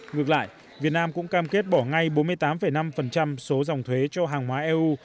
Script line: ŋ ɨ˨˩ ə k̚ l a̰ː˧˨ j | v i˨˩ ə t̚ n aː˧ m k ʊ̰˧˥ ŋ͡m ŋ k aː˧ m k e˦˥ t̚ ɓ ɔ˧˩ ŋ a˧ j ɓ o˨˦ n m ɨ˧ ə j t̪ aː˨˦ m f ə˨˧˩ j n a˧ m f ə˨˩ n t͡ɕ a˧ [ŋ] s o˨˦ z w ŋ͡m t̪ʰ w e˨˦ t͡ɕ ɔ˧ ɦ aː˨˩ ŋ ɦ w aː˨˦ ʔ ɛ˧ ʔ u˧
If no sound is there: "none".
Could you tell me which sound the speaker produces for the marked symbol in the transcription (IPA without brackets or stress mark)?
m